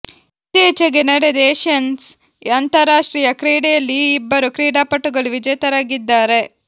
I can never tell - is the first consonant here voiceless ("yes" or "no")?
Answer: yes